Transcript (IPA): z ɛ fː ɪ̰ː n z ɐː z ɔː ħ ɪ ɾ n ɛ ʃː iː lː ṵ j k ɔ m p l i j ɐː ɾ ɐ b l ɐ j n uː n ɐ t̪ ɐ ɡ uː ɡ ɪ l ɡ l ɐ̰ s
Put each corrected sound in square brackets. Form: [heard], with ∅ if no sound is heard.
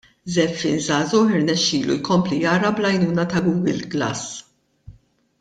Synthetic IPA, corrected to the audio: z ɛ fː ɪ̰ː n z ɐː z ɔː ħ ɪ ɾ n ɛ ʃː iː [l] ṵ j k ɔ m p l i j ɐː ɾ ɐ b l ɐ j n uː n ɐ t̪ ɐ ɡ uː ɡ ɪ l ɡ l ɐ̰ s